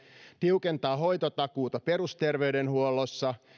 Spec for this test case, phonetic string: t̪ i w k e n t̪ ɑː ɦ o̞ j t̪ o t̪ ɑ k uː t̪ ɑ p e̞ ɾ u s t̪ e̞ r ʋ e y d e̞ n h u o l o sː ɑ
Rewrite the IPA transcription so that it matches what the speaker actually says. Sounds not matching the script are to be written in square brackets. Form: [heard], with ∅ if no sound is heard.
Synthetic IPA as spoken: t̪ i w k e n t̪ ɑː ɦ o̞ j t̪ o t̪ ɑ k uː t̪ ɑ p e̞ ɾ u s t̪ e̞ r ʋ e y d e̞ n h u o l o sː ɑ

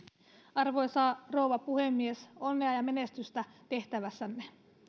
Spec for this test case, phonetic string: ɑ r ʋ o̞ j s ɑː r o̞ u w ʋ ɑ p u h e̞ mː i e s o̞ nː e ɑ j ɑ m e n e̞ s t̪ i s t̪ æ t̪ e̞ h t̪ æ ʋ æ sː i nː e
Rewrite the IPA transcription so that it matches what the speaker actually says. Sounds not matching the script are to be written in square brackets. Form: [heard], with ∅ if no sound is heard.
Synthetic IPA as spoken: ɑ r ʋ o̞ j s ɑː r o̞ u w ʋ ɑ p u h e̞ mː i e s o̞ nː e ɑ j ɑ m e n e̞ s t̪ [y] s t̪ æ t̪ e̞ h t̪ æ ʋ æ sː [æ] nː e

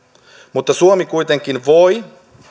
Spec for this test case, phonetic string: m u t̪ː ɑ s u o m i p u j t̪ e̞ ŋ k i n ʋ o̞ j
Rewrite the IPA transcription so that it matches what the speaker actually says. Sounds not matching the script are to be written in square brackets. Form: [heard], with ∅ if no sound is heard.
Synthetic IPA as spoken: m u t̪ː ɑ s u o m i [k] u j t̪ e̞ ŋ k i n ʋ o̞ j

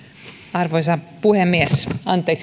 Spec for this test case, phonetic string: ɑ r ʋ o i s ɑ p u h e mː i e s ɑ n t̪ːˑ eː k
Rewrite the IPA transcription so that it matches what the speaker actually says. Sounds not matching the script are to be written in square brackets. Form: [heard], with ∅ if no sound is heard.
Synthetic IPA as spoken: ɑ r ʋ o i s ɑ p u h e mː i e s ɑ n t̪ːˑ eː k

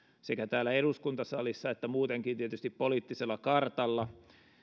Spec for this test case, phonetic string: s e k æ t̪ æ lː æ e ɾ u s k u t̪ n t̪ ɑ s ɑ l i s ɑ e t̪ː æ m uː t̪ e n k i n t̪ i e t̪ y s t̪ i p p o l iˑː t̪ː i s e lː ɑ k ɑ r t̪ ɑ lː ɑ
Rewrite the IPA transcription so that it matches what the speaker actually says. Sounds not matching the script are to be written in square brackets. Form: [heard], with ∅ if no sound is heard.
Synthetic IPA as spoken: s e k æ t̪ [æː] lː æ e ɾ u s k u [∅] n t̪ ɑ s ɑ l i [sː] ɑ e t̪ː æ m uː t̪ e [ŋ] k i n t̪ i e t̪ y s t̪ i p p o l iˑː t̪ː i s e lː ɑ k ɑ r t̪ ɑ lː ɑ

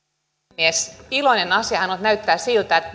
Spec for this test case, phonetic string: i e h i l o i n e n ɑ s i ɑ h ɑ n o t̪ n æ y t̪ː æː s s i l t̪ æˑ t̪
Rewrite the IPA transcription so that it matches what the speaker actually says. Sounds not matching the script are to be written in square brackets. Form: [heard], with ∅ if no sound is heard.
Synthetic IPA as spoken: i e [s] i l o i n e n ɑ s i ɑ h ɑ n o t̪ n æ y t̪ː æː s s i l t̪ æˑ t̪

